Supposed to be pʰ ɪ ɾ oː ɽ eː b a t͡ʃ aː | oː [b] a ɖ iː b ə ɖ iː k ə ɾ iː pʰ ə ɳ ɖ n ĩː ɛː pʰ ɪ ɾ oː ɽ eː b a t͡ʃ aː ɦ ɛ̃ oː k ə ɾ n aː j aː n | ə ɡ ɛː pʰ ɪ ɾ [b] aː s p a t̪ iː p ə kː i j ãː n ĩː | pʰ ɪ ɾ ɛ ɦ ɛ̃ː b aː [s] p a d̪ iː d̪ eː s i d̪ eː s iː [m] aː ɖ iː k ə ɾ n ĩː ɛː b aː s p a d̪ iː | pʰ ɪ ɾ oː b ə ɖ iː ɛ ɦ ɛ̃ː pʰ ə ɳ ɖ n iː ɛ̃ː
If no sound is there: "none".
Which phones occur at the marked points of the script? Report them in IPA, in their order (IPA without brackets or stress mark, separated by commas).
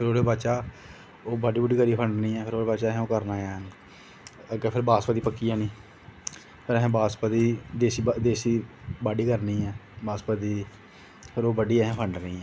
b, b, s, b